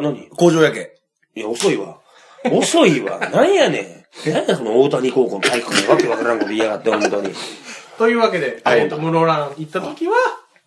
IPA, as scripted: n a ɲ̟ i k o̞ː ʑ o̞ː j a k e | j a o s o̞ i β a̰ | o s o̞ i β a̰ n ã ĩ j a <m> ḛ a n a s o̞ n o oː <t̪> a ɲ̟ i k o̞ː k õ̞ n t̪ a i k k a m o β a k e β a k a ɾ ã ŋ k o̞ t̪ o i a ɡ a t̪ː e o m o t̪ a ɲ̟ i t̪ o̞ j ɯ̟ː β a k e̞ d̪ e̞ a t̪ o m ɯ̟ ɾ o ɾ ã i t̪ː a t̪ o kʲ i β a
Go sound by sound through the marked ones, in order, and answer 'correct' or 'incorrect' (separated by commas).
incorrect, correct